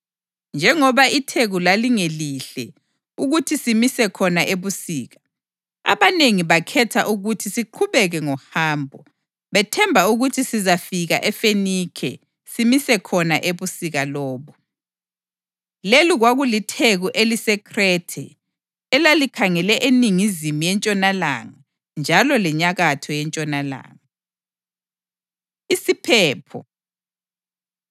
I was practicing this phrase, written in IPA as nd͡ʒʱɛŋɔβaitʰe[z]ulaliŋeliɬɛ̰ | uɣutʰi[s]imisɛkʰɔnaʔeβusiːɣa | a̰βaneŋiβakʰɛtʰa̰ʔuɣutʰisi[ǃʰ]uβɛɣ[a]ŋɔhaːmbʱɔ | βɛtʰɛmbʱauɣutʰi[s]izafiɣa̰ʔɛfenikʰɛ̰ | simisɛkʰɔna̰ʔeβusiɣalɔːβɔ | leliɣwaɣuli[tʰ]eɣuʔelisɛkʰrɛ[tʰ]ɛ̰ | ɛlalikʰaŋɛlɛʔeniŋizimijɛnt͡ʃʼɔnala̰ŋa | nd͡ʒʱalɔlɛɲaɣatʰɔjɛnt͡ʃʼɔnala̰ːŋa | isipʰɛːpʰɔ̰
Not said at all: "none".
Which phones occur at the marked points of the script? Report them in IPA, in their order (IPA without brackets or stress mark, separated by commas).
ɣ, s, ǃʰ, ɛ, s, tʰ, tʰ